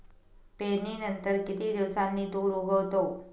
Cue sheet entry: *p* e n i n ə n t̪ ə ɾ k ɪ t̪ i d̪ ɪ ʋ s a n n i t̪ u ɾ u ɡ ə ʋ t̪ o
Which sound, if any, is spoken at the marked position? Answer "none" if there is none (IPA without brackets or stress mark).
p